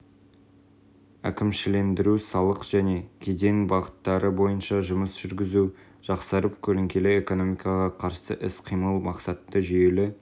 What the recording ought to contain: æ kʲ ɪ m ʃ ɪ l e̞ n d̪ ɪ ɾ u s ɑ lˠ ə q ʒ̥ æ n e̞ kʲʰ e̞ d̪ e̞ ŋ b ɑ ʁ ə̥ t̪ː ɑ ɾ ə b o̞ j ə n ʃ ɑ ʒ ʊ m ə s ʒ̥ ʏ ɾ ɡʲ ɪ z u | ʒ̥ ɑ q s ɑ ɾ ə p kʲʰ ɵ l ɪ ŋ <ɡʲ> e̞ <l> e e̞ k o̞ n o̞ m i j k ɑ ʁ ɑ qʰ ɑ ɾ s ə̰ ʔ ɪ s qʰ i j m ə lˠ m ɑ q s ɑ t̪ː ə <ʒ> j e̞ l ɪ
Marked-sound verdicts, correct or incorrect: incorrect, correct, correct

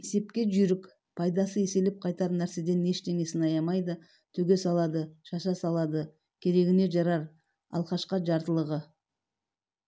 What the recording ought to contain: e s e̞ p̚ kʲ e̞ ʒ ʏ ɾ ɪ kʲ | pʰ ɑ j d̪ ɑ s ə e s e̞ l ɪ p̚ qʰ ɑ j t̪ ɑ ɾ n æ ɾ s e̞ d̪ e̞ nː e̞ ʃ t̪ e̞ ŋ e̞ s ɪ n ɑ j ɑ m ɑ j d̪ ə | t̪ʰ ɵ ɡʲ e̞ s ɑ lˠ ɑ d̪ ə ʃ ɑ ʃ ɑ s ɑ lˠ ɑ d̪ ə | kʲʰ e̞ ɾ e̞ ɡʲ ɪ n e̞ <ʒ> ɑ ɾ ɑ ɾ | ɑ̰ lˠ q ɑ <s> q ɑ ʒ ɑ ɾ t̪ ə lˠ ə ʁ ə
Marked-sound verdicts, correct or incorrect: correct, incorrect

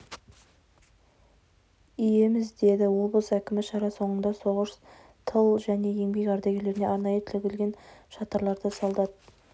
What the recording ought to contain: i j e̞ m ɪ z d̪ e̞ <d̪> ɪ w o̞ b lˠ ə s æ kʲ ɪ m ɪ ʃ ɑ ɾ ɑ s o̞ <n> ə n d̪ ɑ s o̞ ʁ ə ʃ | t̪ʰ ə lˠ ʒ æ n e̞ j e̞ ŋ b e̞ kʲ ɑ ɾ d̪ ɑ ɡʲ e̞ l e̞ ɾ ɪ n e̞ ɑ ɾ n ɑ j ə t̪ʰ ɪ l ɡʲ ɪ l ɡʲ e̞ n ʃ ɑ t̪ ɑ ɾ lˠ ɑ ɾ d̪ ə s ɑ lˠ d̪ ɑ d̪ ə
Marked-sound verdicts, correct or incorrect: correct, incorrect

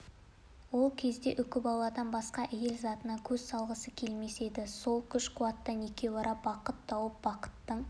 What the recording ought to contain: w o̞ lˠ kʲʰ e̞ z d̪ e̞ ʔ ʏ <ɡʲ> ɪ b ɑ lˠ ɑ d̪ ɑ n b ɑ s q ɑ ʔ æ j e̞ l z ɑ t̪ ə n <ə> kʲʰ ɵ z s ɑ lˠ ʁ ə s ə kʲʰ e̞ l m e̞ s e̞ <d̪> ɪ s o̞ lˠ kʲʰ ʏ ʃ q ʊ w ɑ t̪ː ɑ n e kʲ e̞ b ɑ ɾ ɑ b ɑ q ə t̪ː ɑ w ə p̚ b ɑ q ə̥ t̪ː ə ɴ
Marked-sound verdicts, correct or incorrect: incorrect, incorrect, correct

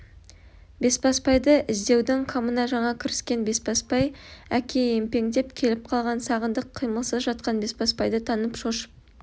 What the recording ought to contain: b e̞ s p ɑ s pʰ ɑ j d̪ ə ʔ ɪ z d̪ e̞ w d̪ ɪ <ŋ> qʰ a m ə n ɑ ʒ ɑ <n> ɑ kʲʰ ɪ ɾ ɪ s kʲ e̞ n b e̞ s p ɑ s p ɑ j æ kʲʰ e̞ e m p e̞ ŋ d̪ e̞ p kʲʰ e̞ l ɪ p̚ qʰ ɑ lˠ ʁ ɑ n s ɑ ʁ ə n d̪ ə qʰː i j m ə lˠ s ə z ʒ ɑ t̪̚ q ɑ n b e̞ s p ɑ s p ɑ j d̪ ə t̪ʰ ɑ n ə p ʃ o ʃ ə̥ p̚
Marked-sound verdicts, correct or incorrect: correct, incorrect

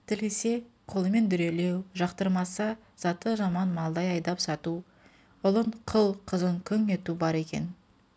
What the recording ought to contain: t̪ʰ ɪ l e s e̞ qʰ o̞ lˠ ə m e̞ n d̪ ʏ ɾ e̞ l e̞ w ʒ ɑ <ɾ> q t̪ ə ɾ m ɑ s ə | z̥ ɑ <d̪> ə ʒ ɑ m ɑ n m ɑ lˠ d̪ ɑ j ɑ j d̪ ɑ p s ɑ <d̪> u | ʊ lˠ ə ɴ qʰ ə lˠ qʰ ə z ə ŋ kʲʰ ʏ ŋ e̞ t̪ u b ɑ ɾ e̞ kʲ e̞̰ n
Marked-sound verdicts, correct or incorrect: incorrect, incorrect, incorrect

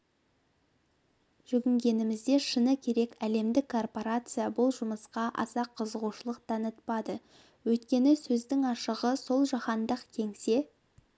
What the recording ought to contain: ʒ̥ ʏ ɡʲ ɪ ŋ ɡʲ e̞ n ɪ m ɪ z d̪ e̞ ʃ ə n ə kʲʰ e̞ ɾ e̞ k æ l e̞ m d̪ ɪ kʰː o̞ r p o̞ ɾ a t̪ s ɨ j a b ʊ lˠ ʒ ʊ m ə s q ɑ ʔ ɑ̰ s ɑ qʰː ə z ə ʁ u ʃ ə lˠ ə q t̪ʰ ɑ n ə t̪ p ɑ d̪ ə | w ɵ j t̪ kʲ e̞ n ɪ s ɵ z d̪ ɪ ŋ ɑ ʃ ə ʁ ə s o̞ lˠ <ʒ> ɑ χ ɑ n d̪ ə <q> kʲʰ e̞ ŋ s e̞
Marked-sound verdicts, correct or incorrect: correct, correct

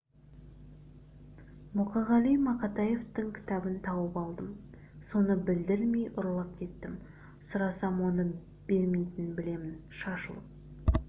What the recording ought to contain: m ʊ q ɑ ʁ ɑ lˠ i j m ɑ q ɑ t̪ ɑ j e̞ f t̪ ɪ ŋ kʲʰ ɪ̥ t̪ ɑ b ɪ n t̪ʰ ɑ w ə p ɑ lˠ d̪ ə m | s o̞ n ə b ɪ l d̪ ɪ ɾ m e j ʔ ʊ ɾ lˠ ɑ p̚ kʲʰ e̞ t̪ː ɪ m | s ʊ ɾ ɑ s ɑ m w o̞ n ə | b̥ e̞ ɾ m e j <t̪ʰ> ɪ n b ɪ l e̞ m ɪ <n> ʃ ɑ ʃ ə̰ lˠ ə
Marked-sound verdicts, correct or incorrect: incorrect, correct

